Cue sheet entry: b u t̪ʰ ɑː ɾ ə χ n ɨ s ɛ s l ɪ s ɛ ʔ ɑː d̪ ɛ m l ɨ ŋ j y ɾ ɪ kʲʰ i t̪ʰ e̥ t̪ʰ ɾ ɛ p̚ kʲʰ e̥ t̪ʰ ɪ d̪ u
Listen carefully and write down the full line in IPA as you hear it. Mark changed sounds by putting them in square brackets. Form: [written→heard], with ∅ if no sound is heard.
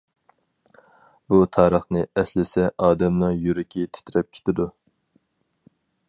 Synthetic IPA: b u t̪ʰ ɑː ɾ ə χ n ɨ [s→∅] ɛ s l ɪ s ɛ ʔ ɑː d̪ ɛ m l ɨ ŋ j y ɾ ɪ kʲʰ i t̪ʰ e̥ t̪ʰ ɾ ɛ p̚ kʲʰ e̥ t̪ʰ ɪ d̪ u